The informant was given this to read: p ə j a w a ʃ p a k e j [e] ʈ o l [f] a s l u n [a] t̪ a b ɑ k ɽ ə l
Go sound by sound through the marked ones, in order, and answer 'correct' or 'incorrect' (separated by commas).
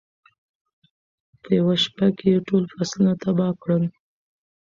correct, correct, correct